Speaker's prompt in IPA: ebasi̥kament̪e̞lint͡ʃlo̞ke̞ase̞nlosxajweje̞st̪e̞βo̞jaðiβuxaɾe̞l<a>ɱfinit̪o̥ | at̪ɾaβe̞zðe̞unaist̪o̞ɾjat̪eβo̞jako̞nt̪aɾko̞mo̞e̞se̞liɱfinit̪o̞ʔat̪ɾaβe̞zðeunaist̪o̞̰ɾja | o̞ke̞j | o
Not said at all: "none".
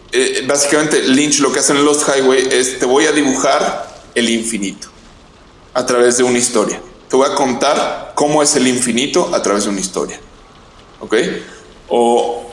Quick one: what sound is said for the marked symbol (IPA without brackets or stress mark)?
i